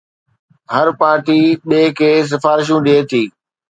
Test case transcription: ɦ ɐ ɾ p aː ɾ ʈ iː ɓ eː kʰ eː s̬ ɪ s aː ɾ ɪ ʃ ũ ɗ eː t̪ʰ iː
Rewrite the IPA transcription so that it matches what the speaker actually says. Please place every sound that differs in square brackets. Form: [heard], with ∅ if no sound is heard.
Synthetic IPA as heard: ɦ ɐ ɾ p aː ɾ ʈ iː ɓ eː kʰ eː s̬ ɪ [f] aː ɾ ɪ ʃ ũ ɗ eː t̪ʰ iː